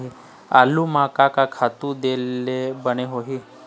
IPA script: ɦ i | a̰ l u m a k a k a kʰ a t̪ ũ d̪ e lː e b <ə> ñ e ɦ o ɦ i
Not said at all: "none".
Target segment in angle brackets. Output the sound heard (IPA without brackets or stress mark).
ə